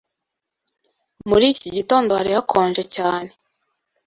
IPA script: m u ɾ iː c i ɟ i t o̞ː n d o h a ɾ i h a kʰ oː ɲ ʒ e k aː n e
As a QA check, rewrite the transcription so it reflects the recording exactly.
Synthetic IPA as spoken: m u ɾ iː c i ɟ i t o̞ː n d o h a ɾ i h a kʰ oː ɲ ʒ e c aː n e